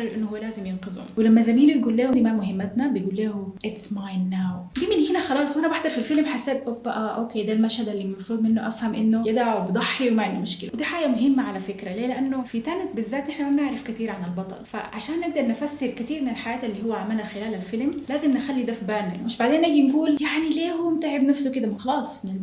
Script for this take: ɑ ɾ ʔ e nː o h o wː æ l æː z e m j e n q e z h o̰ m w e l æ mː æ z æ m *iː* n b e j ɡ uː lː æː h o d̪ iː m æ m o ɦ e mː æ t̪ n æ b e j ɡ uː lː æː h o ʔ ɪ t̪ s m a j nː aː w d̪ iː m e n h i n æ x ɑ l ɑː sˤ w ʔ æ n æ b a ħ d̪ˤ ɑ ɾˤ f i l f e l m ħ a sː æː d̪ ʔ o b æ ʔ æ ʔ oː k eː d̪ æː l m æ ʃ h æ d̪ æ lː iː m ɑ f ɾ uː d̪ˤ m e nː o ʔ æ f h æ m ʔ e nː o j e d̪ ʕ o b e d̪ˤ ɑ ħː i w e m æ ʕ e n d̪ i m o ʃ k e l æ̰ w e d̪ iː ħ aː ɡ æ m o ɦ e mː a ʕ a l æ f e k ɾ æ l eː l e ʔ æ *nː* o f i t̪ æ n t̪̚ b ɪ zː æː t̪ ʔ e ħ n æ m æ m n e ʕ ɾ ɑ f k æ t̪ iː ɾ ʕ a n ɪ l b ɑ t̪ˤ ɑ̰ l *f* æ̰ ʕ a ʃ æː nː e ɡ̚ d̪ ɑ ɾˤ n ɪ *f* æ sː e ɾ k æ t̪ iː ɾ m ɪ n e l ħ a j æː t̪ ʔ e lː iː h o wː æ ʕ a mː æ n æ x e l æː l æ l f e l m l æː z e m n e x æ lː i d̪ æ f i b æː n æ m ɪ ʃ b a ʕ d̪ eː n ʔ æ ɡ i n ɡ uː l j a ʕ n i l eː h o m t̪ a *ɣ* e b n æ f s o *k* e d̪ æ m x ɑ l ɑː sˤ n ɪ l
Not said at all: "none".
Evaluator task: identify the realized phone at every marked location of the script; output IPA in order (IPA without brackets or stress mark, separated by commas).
iː, nː, f, f, ʕ, k